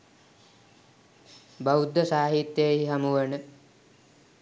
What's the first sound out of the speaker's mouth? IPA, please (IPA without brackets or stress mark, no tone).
b